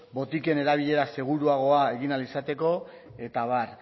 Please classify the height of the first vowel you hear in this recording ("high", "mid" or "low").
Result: mid